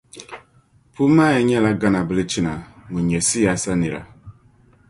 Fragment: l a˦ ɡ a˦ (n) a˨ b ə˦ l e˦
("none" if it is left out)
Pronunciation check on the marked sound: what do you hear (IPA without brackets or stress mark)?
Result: n